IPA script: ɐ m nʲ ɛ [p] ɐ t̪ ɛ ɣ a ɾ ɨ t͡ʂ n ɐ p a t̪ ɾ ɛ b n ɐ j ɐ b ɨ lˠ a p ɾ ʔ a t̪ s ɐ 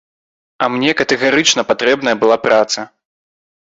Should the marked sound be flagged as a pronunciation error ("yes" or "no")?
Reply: yes